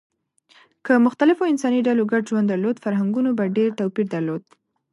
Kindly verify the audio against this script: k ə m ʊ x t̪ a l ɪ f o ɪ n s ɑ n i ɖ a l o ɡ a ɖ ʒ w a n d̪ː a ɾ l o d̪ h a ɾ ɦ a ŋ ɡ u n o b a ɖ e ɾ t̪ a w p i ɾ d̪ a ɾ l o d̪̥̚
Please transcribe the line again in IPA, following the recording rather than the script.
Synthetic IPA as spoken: k ə m ʊ x t̪ a l ɪ f o ɪ n s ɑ n i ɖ a l o ɡ a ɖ ʒ w a n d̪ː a ɾ l o d̪ f a ɾ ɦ a ŋ ɡ u n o b a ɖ e ɾ t̪ a w p i ɾ d̪ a ɾ l o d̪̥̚